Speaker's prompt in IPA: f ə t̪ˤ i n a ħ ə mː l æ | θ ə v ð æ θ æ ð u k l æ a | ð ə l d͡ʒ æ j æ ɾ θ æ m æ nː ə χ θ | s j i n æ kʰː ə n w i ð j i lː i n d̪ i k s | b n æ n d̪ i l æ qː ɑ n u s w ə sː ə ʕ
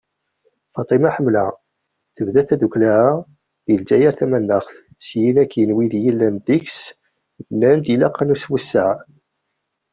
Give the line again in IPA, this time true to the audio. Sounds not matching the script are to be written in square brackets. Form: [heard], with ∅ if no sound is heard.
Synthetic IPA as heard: f [ɑ] t̪ˤ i [m] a ħ ə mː l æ | θ ə v ð æ θ æ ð u k l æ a | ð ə l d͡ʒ æ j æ ɾ θ æ m æ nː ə χ θ | s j i n æ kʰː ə n w i ð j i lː [æ] n d̪ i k s | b n æ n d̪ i l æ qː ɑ n u s w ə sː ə ʕ